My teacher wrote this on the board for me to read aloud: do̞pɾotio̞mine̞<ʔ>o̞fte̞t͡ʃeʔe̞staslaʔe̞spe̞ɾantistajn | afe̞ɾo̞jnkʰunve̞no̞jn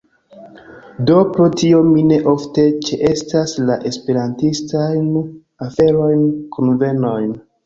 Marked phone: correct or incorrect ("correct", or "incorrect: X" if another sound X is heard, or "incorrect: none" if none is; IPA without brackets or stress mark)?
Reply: correct